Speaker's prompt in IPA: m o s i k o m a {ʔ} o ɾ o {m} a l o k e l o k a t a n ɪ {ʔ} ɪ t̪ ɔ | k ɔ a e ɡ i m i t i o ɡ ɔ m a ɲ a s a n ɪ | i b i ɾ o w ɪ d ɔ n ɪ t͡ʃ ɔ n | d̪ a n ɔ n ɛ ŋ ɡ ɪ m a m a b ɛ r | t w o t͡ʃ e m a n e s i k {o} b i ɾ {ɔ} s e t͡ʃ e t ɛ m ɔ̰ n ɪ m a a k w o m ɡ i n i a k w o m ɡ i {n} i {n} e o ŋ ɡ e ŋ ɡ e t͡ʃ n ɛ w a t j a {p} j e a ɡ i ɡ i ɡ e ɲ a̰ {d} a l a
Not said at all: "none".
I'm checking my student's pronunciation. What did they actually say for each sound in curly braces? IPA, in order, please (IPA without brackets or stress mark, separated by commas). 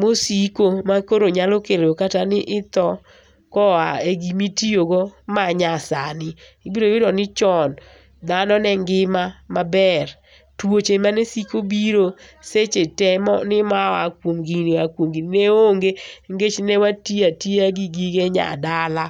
k, ɲ, ʔ, o, o, n, n, t, d